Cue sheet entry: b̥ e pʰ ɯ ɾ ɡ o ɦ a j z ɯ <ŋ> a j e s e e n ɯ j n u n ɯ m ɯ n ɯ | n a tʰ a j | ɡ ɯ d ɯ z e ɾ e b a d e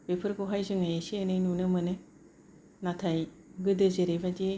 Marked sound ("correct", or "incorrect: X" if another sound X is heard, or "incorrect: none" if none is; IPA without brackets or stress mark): correct